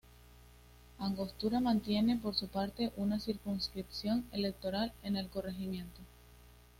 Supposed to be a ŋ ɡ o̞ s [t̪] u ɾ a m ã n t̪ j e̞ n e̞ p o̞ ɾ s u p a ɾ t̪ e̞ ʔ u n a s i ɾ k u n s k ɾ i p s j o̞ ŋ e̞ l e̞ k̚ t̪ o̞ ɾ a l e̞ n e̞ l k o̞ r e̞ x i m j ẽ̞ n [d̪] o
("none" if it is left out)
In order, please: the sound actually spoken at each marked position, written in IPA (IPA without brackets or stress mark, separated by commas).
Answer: t̪, t̪